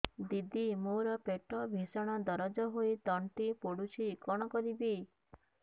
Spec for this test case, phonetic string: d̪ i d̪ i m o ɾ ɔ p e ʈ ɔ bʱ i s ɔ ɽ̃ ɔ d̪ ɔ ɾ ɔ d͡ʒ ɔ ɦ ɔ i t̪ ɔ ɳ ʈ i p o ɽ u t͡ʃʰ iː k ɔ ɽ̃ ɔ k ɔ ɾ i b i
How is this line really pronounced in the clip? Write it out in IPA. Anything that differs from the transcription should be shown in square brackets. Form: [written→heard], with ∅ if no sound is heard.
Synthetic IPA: d̪ i d̪ i m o ɾ ɔ p e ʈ ɔ bʱ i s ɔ ɽ̃ ɔ d̪ ɔ ɾ ɔ d͡ʒ ɔ ɦ [ɔ→o] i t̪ ɔ ɳ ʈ i p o ɽ u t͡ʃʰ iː k ɔ ɽ̃ ɔ k ɔ ɾ i b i